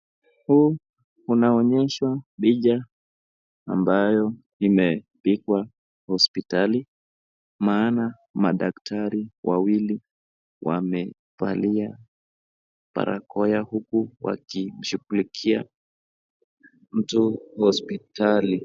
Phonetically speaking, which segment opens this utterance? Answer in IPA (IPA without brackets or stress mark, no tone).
h